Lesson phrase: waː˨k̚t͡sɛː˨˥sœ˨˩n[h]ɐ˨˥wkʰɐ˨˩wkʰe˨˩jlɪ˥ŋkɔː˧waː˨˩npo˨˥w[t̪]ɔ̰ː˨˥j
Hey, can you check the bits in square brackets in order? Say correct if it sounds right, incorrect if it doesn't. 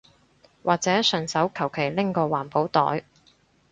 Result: incorrect: s, correct

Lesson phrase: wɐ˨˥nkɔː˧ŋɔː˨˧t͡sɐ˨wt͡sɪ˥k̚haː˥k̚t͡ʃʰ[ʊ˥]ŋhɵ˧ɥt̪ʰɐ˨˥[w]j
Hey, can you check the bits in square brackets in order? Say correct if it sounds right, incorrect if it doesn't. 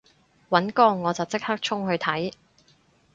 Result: correct, incorrect: none

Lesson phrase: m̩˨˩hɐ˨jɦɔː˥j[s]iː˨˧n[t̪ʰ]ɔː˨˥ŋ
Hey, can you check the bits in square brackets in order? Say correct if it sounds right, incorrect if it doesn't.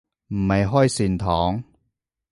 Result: correct, correct

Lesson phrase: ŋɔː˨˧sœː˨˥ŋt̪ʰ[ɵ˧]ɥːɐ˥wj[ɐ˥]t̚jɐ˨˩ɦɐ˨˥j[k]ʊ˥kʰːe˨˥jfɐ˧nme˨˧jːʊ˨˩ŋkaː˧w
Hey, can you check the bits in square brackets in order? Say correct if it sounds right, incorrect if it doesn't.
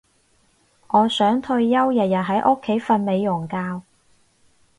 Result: correct, incorrect: ɐ˨˩, incorrect: ʔ

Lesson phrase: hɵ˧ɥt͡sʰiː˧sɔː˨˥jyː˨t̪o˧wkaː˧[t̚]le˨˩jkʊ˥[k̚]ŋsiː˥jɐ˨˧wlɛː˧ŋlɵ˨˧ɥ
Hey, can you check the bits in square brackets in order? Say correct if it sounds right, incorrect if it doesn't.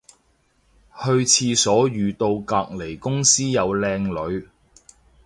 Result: incorrect: k̚, incorrect: none

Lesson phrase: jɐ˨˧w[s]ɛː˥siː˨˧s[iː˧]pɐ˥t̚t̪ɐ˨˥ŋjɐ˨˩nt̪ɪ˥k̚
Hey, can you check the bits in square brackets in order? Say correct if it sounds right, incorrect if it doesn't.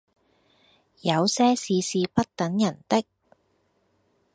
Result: correct, correct

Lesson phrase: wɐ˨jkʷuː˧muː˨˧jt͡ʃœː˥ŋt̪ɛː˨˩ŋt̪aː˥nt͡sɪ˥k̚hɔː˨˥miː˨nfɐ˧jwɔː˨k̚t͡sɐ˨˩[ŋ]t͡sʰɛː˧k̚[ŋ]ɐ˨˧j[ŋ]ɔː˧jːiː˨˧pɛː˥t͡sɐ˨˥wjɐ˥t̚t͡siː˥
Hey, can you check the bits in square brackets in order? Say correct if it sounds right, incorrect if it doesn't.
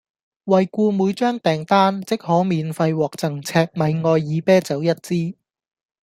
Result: correct, incorrect: m, correct

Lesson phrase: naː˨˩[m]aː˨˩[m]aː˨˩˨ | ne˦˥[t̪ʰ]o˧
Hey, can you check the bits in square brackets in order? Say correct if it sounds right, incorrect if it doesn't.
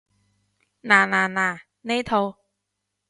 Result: incorrect: n, incorrect: n, correct

